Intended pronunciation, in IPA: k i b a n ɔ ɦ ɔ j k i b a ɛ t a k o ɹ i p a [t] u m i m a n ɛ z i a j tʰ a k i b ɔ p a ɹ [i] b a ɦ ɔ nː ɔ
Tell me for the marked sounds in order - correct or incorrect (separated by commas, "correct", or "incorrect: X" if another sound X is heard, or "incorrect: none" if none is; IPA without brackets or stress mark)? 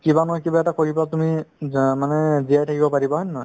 correct, correct